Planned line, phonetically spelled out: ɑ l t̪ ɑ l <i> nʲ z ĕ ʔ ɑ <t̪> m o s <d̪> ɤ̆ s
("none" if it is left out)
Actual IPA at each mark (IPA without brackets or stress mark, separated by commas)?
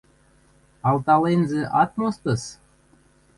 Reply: e, t̪, t̪